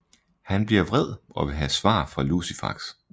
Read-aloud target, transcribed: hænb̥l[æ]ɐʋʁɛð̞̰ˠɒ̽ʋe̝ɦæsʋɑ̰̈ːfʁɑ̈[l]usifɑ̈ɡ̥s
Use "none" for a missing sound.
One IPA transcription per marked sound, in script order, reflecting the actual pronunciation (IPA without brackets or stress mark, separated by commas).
i, l